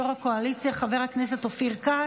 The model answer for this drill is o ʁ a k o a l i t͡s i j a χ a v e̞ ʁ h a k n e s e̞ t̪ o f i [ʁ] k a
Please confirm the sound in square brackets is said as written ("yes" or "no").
yes